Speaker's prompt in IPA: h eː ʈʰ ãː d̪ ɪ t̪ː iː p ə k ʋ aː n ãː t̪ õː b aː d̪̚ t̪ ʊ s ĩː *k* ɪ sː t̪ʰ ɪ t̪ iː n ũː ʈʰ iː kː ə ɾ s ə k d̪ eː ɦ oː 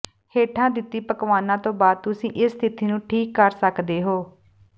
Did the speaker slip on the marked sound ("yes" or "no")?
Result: yes